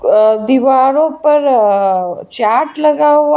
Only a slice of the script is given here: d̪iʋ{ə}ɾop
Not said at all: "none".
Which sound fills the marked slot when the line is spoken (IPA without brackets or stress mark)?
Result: a